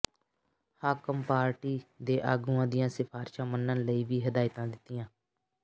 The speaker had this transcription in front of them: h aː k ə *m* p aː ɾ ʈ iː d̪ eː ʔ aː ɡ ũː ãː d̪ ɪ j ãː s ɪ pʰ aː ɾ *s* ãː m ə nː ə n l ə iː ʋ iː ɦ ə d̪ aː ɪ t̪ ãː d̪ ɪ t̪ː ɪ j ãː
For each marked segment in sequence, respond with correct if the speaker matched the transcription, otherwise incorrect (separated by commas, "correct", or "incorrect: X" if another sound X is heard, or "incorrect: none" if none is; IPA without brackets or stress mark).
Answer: correct, incorrect: ʃ